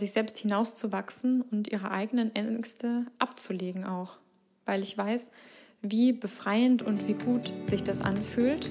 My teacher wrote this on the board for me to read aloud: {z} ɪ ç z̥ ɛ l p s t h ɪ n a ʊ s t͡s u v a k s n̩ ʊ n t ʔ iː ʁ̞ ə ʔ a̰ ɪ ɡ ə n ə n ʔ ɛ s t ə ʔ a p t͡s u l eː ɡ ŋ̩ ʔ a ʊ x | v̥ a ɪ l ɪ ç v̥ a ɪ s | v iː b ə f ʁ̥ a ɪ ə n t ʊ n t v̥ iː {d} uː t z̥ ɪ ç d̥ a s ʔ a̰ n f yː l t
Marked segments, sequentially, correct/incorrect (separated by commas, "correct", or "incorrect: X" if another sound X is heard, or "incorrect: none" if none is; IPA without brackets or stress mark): correct, incorrect: ɡ